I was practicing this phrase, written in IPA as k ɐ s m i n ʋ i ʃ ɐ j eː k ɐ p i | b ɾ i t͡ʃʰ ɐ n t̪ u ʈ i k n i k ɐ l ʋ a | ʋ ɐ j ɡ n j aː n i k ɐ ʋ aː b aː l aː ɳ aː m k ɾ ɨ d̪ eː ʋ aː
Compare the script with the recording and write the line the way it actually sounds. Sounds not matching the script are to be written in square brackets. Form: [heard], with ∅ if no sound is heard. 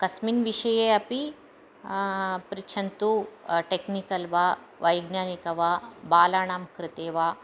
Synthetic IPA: k ɐ s m i n ʋ i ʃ ɐ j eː [∅] ɐ p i | [p] ɾ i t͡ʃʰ ɐ n t̪ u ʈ [e] k n i k ɐ l ʋ a | ʋ ɐ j ɡ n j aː n i k ɐ ʋ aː b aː l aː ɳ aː m k ɾ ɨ [t̪] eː ʋ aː